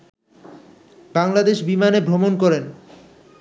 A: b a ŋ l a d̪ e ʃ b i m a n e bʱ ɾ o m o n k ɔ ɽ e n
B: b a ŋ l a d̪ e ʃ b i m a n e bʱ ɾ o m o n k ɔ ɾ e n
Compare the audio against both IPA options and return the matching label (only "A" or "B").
B